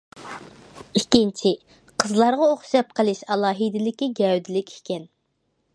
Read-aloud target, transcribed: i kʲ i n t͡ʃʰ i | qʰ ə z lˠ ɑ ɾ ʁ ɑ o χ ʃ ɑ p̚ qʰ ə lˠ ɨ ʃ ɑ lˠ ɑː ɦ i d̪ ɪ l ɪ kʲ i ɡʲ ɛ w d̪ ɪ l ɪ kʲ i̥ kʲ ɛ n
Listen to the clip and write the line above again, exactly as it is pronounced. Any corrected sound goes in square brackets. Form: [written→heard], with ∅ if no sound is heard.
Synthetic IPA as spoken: i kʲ i n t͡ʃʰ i | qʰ ə z lˠ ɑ ɾ ʁ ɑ o χ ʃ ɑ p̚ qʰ ə lˠ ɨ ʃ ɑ lˠ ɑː ɦ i d̪ ɪ l ɪ kʲ i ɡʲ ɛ w d̪ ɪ l ɪ kʲ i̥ kʲ ɛ n